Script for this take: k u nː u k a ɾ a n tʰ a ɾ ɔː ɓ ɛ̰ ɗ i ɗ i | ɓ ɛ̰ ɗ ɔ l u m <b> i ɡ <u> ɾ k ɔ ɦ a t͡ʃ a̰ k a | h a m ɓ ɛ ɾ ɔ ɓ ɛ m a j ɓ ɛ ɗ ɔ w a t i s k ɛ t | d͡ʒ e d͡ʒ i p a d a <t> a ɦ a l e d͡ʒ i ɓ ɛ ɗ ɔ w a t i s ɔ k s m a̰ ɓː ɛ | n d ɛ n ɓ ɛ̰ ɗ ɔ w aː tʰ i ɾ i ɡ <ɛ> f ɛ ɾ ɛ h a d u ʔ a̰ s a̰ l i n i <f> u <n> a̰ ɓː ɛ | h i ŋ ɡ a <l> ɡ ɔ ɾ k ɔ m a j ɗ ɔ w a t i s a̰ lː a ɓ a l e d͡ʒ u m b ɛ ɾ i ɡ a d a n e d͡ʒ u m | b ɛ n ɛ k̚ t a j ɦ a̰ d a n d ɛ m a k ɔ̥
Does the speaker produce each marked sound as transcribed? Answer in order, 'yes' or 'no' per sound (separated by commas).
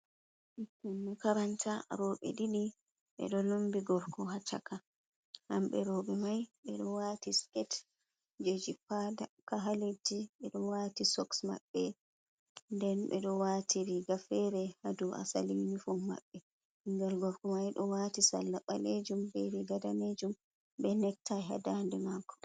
yes, no, no, no, yes, no, yes